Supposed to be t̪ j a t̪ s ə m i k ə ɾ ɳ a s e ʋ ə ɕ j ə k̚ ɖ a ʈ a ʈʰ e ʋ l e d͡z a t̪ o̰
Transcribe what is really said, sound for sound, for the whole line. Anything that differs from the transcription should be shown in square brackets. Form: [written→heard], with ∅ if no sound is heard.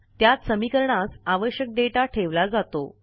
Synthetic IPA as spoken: t̪ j a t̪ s ə m i k ə ɾ ɳ a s [e→a] ʋ ə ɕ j ə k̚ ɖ [a→e] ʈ a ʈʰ e ʋ l [e→a] d͡z a t̪ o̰